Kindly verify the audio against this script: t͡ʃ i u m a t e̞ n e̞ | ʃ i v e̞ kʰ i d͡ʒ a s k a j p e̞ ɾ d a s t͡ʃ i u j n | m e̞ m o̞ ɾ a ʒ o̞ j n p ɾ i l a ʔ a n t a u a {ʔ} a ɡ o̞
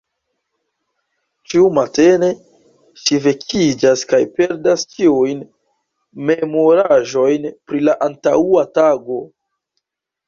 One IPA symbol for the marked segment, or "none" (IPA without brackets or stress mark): t